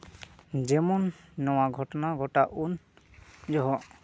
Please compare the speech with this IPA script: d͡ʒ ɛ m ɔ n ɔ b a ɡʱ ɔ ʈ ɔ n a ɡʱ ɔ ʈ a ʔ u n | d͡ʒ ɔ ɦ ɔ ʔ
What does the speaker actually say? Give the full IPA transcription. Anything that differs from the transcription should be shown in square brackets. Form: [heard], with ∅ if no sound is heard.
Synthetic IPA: d͡ʒ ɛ m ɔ [nː] ɔ [w] a ɡʱ ɔ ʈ ɔ n a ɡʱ ɔ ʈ a ʔ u n | d͡ʒ ɔ ɦ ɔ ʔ